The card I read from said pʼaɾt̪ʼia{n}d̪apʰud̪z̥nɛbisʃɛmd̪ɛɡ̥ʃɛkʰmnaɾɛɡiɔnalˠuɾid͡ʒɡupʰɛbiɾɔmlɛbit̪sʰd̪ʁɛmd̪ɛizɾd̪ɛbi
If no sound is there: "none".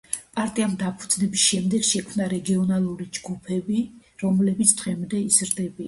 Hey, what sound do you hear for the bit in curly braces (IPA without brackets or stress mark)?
m